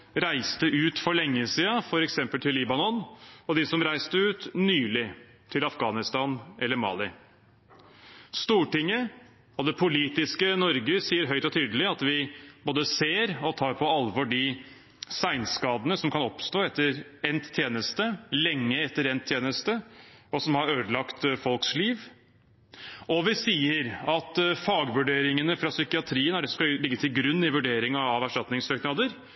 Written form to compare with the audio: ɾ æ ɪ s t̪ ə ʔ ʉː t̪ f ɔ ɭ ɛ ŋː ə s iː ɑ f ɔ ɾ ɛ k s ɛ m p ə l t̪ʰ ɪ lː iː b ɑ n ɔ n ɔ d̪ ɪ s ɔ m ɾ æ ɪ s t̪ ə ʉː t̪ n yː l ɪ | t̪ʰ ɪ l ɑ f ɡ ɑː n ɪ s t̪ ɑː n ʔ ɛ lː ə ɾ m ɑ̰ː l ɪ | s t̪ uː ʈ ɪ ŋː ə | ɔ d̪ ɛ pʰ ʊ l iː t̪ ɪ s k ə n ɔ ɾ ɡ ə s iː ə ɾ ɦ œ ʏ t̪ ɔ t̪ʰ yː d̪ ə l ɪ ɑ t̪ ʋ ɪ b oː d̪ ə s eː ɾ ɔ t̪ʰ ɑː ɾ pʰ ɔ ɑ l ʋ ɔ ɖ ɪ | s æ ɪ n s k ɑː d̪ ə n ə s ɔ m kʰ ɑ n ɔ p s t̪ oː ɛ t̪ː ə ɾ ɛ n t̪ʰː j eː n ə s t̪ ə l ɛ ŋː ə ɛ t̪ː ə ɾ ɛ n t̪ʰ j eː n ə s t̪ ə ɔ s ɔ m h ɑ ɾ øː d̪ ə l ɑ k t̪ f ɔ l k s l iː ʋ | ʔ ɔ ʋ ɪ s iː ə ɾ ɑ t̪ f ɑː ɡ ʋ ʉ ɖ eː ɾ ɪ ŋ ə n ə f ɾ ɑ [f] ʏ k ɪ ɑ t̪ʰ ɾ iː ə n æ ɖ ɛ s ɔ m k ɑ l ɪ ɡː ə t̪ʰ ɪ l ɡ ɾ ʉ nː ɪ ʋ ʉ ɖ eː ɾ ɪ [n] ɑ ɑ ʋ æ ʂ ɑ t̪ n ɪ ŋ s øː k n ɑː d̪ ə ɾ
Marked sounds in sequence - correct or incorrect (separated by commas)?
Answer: incorrect, incorrect